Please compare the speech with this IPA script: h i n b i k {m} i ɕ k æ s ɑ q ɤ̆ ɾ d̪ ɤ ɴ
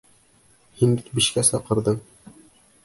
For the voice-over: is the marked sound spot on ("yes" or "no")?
no